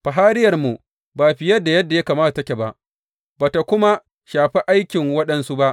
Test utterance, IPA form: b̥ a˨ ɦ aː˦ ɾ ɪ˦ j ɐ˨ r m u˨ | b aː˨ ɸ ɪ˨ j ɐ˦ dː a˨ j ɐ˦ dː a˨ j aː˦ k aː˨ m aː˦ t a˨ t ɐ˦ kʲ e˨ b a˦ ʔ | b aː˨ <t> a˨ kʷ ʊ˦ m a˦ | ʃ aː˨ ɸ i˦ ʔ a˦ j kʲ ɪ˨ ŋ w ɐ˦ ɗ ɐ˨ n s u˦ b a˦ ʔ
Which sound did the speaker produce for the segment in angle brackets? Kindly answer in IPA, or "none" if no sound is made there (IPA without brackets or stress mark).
t